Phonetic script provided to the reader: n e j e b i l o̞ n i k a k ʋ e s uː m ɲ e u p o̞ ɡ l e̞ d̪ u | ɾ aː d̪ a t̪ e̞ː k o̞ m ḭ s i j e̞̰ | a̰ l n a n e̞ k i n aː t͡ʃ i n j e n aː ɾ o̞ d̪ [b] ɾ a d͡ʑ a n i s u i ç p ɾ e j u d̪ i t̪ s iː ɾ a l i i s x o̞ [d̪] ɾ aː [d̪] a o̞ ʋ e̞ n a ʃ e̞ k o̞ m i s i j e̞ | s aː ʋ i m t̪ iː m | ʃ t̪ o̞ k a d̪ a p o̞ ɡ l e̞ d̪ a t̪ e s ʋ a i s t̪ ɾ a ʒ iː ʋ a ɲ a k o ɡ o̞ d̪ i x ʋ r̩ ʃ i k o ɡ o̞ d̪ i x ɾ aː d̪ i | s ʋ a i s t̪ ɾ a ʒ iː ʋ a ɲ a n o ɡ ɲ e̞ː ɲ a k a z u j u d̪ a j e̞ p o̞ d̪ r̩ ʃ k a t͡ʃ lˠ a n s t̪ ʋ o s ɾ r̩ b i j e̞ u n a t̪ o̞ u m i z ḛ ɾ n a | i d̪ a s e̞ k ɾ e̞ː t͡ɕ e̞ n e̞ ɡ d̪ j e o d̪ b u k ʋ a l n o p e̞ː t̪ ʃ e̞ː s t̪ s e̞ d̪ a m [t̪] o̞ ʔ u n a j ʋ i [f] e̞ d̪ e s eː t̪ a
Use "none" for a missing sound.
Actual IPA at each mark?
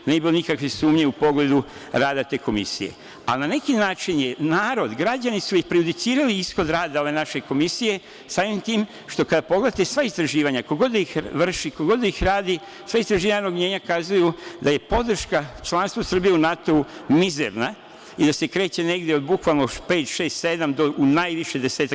ɡ, d̪, d̪, d̪, ʃ

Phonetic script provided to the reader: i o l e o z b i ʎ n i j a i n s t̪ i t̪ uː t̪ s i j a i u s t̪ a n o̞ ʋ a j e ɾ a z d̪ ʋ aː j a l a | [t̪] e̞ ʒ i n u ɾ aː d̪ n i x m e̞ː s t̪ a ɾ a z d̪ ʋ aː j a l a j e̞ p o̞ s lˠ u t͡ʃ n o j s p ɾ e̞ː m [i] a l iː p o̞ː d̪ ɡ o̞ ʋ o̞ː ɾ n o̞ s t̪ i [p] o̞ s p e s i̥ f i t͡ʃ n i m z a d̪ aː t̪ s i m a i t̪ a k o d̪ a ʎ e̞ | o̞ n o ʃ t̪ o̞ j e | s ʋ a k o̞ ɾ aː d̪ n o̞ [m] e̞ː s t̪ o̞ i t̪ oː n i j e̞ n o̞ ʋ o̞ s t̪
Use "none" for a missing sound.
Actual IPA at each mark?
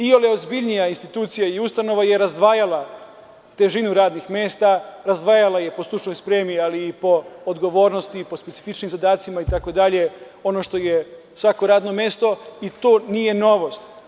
t̪, i, p, m

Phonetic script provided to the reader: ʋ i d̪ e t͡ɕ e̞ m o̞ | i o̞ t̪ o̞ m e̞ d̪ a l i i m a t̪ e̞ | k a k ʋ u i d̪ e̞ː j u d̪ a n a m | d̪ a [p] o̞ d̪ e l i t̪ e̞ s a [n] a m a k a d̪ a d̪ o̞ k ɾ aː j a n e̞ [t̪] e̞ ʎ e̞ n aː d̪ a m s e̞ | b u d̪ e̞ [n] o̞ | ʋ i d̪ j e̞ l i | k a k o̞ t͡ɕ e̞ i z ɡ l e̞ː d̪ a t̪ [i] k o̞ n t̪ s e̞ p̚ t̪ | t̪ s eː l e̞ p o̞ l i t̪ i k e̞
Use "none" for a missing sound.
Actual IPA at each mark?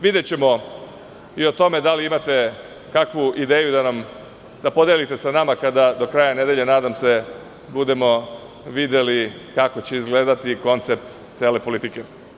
p, n, d̪, m, i

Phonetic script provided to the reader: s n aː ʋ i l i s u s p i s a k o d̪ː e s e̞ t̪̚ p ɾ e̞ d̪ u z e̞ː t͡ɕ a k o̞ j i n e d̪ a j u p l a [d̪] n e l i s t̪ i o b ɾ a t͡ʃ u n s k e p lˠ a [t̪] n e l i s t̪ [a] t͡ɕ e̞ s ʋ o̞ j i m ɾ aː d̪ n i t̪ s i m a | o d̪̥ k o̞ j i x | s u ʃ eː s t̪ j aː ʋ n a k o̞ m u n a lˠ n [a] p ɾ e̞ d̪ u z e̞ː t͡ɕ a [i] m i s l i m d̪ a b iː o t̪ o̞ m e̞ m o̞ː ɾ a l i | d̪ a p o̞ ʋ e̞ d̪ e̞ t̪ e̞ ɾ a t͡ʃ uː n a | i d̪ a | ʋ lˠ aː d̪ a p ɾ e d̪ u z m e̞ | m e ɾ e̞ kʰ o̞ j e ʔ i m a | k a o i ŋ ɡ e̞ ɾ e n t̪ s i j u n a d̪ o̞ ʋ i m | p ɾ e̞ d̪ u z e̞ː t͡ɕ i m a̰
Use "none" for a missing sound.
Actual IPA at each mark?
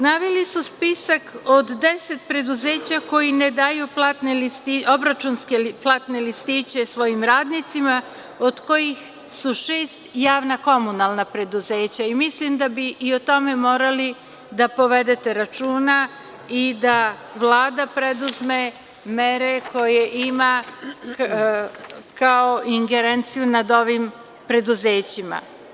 t̪, t̪, i, a, i

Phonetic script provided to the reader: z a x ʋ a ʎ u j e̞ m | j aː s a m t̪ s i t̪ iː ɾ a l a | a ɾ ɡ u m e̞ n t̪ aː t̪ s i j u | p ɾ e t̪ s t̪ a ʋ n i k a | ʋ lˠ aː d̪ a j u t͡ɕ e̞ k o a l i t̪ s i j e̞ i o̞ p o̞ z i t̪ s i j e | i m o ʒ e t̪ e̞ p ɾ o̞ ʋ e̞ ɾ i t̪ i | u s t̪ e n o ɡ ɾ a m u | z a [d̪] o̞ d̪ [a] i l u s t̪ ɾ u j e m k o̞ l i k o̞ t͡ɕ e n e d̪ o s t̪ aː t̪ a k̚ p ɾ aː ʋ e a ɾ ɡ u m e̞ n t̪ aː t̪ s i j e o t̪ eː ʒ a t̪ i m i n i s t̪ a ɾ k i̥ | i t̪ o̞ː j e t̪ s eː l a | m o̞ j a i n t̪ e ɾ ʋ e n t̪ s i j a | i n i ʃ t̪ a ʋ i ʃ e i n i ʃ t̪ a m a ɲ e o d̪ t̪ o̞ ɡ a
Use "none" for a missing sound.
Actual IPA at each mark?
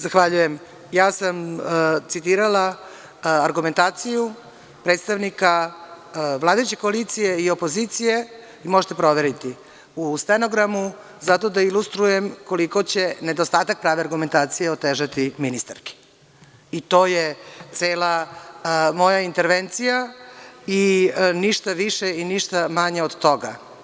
t̪, a

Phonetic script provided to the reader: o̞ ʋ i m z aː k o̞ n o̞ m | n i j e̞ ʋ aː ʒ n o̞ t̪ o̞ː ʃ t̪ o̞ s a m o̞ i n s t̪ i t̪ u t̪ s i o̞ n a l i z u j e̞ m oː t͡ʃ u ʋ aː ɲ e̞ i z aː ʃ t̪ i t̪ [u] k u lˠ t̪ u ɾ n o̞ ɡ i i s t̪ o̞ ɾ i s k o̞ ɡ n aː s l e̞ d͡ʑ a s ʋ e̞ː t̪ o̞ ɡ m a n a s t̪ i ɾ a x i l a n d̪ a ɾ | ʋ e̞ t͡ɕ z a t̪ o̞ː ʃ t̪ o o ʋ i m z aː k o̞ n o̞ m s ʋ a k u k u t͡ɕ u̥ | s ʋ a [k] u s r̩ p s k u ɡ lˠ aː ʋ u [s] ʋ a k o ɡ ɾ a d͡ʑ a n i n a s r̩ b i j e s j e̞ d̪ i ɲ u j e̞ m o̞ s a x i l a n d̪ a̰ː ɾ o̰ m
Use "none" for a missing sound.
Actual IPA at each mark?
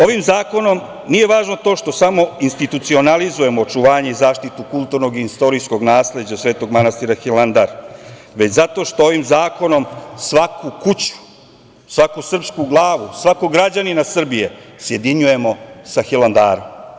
u, k, s

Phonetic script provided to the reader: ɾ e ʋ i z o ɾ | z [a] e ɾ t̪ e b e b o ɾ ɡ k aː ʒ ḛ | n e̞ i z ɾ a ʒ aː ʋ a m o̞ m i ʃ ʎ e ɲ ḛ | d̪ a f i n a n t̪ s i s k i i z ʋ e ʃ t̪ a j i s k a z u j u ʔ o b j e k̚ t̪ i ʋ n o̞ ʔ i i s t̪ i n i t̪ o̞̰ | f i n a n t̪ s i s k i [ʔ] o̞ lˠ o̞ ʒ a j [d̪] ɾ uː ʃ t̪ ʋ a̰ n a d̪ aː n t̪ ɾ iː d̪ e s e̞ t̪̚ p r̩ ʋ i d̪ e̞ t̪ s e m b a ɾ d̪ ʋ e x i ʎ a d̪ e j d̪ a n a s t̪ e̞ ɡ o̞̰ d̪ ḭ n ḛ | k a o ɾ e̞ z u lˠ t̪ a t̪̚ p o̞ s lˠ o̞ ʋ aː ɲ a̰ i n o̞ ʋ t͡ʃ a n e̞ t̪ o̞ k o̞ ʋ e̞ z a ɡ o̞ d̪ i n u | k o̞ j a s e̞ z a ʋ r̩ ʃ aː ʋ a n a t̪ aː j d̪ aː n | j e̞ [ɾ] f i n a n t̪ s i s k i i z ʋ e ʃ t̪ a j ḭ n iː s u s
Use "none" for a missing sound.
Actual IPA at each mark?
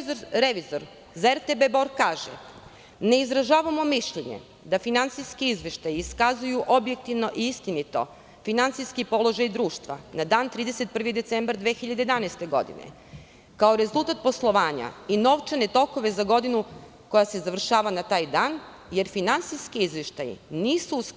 a, p, d̪, ɾ

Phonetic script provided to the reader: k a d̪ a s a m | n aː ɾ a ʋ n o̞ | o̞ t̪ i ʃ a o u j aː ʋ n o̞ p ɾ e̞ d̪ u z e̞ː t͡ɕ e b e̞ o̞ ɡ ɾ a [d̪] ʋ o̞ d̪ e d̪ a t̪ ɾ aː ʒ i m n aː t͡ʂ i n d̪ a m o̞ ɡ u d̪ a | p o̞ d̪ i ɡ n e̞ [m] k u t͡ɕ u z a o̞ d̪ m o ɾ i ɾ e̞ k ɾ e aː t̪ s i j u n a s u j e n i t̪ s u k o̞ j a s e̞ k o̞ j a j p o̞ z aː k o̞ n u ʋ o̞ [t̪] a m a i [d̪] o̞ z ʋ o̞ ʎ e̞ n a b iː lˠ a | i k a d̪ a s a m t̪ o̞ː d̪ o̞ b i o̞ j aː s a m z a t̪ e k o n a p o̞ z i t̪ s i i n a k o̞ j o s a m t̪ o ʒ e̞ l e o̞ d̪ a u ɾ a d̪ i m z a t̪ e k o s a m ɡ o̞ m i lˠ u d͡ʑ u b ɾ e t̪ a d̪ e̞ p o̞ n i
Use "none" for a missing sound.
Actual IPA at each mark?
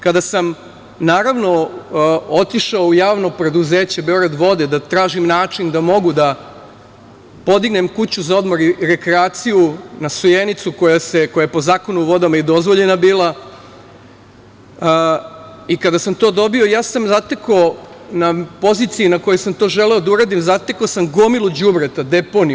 d̪, m, d̪, d̪

